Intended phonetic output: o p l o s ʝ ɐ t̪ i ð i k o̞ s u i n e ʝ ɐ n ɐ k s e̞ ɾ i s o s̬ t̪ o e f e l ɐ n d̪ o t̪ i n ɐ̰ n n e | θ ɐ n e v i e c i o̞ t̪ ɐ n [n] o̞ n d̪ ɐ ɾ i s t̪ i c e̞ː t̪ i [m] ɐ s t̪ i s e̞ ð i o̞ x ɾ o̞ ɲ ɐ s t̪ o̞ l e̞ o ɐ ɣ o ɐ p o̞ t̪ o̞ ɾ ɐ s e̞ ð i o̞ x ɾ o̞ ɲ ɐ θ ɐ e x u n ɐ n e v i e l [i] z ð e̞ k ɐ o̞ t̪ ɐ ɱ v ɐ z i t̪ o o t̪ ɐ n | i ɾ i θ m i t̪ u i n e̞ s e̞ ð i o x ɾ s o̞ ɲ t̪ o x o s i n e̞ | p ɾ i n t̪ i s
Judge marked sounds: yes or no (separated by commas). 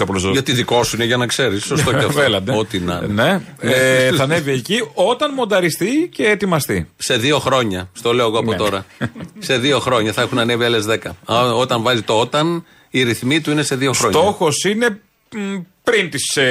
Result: no, yes, no